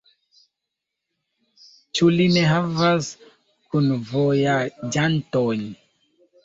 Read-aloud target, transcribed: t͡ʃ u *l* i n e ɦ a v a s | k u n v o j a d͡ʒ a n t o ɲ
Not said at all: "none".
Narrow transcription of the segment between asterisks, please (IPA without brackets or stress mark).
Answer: l